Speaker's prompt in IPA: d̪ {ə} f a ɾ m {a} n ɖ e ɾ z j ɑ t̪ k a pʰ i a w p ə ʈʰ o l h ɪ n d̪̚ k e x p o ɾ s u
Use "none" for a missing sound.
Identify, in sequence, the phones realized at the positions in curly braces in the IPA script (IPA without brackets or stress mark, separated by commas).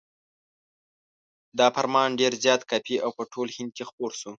ɑ, ɑ